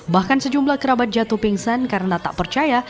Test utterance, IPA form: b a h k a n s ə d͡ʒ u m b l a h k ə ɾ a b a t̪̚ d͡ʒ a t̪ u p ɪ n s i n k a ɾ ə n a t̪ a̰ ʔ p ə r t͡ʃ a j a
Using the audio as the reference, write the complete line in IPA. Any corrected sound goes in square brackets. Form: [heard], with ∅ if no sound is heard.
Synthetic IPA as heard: b a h k a n s ə d͡ʒ u m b l a h k ə ɾ a b a t̪̚ d͡ʒ a t̪ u p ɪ [ŋ] s [a] n k a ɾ ə n a t̪ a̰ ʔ p ə r t͡ʃ a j a